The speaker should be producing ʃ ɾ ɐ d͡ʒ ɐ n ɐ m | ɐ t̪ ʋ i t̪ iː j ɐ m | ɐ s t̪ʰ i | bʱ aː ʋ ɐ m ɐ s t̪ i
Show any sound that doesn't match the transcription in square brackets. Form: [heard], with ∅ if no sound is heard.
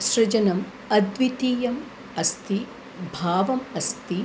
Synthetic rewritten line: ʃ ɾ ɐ d͡ʒ ɐ n ɐ m | ɐ [d̪] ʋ i t̪ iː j ɐ m | ɐ s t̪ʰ i | bʱ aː ʋ ɐ m ɐ s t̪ i